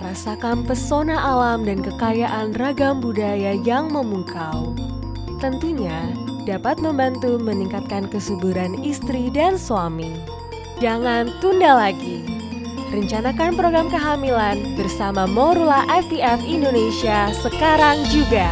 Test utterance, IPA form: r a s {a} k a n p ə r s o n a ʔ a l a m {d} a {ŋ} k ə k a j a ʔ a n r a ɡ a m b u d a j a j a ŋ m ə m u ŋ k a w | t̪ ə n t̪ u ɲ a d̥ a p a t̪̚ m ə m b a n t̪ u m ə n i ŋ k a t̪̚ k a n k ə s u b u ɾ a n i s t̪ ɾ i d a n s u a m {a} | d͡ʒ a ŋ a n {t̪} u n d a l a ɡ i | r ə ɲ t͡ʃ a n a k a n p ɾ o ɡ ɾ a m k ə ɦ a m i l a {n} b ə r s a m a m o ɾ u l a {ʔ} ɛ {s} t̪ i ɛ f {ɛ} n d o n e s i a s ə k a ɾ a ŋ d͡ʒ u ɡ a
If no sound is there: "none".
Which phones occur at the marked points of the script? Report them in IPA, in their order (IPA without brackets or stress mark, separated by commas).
a, d, n, i, t̪, n, ʔ, f, i